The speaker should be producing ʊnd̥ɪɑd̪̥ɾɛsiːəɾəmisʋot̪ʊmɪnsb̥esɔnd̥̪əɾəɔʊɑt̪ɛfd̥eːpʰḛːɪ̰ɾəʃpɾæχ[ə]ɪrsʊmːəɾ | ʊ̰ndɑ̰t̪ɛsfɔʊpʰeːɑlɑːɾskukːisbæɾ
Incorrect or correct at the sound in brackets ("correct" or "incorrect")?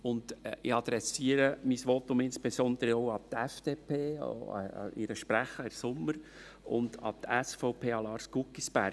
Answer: correct